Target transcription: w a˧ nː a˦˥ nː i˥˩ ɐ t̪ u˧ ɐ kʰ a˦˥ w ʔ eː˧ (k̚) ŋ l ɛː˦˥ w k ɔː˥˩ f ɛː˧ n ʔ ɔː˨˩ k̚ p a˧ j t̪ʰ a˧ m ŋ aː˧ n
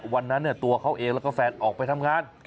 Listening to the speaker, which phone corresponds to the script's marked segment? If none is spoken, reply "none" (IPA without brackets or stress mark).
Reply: none